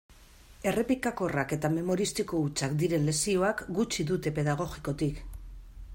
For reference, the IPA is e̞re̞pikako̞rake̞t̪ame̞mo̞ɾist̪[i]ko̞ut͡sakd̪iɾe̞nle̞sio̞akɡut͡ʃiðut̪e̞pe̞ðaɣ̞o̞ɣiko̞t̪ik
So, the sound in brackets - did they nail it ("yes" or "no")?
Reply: yes